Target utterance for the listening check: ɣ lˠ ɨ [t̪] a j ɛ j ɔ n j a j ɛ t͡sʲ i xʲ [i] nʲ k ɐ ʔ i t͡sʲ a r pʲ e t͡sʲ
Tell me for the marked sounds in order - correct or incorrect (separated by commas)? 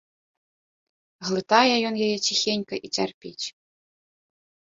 correct, incorrect